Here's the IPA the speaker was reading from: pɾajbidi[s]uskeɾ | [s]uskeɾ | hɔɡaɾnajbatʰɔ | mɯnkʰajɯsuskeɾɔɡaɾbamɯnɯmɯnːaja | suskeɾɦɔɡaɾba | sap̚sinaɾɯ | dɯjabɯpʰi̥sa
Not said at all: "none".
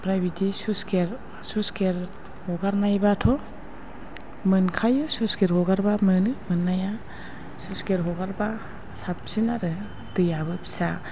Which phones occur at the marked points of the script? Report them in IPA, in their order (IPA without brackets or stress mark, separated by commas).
s, s